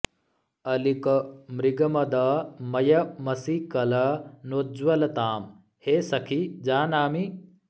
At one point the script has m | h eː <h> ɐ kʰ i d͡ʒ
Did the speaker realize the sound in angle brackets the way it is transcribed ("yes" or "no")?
no